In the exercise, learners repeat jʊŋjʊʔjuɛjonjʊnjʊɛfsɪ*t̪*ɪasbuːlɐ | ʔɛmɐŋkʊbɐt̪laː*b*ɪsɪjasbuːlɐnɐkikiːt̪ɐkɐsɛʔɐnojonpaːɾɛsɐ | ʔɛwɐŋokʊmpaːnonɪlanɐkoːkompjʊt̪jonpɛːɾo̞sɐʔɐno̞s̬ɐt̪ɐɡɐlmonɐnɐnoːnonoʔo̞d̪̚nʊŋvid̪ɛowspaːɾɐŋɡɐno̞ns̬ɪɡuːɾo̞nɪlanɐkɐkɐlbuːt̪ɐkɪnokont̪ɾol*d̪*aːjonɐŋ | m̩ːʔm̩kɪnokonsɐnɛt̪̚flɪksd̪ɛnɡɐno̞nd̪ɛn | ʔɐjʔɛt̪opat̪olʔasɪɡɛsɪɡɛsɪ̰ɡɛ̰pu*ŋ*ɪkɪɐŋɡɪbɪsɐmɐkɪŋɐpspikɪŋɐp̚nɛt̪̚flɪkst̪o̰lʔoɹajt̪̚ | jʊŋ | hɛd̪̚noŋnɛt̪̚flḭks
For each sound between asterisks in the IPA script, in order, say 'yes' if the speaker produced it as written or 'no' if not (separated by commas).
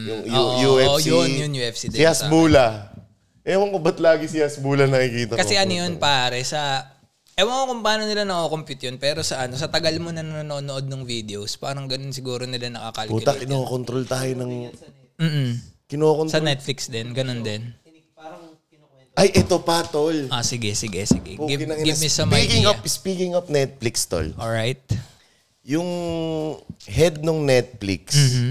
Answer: no, no, no, no